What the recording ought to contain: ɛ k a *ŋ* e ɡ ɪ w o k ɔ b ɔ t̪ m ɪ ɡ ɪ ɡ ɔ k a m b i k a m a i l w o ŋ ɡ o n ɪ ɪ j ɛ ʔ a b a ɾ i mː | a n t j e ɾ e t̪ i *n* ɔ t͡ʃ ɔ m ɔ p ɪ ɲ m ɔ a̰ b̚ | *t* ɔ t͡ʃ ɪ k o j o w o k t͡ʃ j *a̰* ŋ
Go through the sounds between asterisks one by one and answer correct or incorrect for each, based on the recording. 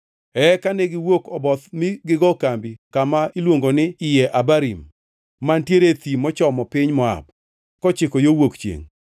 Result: incorrect, incorrect, incorrect, incorrect

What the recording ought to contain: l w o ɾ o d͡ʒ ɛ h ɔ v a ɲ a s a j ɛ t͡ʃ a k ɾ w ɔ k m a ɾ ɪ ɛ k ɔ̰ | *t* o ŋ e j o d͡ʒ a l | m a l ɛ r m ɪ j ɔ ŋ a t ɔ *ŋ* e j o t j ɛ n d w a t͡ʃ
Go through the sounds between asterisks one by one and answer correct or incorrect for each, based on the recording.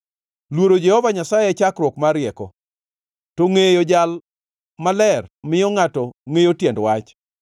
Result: correct, correct

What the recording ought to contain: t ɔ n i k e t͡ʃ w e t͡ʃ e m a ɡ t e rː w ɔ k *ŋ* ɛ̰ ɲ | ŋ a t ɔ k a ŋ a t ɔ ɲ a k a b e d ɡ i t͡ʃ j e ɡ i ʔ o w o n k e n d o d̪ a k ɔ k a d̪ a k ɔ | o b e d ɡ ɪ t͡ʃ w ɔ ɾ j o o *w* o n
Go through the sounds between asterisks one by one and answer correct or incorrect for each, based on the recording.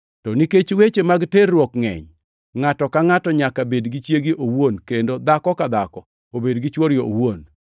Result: correct, correct

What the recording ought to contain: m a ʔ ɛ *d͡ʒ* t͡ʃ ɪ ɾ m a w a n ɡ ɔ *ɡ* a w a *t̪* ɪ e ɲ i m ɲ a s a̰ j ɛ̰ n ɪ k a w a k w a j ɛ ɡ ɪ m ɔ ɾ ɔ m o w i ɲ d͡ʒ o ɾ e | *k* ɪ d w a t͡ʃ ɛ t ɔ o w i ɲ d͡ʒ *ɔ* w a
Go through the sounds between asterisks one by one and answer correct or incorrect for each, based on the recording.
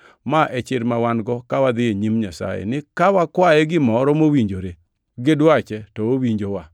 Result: incorrect, incorrect, incorrect, incorrect, incorrect

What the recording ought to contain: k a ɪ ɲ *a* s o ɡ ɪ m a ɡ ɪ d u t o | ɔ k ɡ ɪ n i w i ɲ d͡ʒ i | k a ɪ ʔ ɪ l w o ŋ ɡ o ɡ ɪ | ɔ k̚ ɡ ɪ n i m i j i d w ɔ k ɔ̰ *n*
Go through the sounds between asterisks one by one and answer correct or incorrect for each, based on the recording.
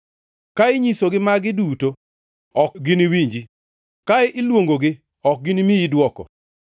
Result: incorrect, incorrect

